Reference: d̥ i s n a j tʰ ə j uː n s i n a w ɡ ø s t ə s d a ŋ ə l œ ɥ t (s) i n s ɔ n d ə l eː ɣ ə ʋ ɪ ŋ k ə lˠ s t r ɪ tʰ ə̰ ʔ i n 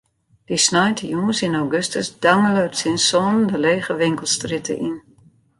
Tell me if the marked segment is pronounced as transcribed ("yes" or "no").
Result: yes